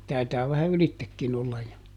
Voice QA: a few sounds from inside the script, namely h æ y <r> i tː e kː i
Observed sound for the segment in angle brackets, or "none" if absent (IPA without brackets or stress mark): l